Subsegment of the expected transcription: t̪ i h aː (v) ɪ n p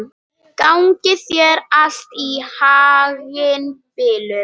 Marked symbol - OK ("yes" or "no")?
no